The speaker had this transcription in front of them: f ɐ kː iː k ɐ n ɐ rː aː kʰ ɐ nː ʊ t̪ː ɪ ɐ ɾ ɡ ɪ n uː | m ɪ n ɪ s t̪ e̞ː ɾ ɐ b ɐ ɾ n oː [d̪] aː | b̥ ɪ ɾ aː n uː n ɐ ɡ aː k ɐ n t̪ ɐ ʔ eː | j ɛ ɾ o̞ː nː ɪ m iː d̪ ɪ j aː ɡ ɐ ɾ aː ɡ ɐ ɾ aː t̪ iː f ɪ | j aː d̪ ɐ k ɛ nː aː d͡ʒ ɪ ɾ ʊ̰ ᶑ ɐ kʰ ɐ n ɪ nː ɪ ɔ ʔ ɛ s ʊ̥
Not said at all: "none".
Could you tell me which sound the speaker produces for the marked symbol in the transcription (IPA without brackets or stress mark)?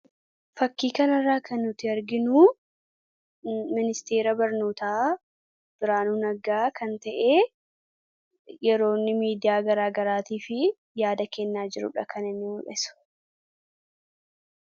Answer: t̪